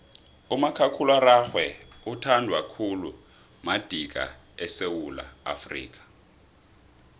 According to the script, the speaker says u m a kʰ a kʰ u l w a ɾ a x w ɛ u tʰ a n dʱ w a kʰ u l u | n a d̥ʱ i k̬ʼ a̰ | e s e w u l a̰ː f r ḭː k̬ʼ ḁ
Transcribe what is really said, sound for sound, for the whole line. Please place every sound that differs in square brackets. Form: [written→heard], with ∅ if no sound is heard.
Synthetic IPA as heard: u m a kʰ a kʰ u l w a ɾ a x w ɛ u tʰ a n dʱ w a kʰ u l u | [n→m] a d̥ʱ i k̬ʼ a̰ | [e→ɛ] s e w u l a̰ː f r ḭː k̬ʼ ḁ